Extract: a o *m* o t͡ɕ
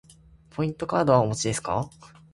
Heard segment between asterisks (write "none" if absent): m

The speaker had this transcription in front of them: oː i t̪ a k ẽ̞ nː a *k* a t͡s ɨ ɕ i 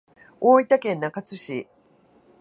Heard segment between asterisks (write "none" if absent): k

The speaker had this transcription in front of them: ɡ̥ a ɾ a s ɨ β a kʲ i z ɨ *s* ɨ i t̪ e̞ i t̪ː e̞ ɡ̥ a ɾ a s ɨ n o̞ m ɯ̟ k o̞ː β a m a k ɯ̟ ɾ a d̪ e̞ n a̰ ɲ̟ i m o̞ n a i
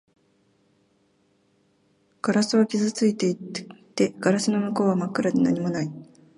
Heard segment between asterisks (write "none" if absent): t͡s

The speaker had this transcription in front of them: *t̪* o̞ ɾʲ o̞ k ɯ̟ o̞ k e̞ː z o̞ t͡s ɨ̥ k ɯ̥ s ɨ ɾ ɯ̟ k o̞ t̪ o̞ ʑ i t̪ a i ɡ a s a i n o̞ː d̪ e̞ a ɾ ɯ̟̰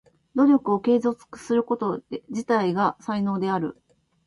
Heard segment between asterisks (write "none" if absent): d̪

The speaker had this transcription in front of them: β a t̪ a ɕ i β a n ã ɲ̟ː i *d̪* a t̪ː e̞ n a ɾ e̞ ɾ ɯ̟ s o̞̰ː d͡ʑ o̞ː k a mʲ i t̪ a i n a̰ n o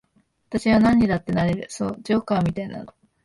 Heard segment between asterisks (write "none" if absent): d̪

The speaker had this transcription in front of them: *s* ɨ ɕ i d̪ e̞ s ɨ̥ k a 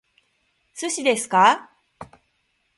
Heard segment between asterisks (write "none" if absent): s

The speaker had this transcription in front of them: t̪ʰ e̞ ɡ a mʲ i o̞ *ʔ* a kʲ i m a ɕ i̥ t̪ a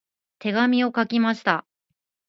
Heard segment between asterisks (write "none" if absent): k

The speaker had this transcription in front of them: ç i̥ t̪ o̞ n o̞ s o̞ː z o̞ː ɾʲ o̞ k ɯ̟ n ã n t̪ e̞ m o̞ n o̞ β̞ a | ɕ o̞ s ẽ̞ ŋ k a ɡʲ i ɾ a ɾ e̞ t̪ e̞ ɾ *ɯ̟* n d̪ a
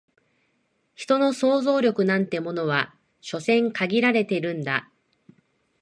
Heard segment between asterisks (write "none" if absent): ɯ̟̃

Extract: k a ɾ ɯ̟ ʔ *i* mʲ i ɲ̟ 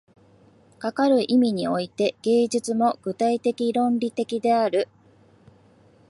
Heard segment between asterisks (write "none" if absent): i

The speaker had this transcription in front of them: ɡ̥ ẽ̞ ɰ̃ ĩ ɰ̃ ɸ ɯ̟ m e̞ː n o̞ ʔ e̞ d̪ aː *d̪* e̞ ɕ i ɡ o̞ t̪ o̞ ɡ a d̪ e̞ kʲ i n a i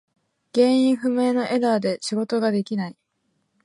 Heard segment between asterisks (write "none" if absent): d̪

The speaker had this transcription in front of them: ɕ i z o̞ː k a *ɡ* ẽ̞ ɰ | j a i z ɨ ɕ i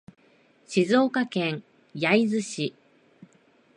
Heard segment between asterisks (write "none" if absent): k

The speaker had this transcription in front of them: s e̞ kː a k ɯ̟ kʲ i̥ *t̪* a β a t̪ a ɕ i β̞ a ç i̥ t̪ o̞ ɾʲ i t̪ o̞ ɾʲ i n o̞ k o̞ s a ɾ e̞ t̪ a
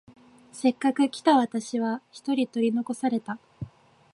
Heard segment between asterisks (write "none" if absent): t̪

